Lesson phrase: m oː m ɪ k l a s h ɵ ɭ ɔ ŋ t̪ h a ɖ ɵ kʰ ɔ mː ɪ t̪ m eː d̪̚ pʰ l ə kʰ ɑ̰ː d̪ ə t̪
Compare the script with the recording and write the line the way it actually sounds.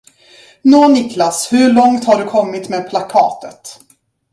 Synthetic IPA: n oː n ɪ k l a s h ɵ ɭ ɔ ŋ t̪ h a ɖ ɵ kʰ ɔ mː ɪ t̪ m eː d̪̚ pʰ l a kʰ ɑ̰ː t̪ ə t̪